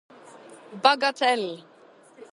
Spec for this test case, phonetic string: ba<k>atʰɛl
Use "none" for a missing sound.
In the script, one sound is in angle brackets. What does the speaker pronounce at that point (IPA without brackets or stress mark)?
ɡ